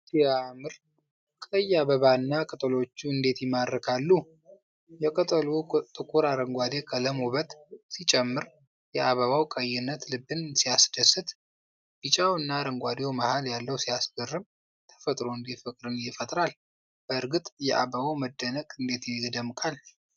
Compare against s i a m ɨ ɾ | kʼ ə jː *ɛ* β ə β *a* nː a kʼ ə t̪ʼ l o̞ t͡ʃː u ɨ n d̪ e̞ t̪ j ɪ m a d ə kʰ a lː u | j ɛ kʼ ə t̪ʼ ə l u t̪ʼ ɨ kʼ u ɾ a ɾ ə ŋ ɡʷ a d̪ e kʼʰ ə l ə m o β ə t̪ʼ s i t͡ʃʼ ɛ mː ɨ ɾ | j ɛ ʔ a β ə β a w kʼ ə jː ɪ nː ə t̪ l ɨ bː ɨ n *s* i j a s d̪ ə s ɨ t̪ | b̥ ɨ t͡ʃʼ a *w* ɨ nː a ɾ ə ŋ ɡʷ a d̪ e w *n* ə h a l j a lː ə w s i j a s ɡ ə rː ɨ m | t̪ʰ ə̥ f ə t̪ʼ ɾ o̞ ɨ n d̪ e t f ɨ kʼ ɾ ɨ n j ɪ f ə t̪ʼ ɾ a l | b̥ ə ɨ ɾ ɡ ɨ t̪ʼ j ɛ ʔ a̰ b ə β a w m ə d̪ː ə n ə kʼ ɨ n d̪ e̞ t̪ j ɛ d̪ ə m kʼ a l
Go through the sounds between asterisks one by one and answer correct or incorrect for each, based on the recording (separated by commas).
incorrect, correct, correct, correct, incorrect